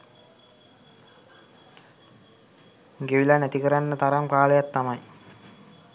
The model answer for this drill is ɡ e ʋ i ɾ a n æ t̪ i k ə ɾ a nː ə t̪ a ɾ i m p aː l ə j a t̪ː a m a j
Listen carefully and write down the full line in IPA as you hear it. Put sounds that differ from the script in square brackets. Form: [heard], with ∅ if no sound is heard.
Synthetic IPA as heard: ɡ e ʋ i [l] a n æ t̪ i k ə ɾ a nː ə t̪ a ɾ [a] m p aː l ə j a t̪ː a m a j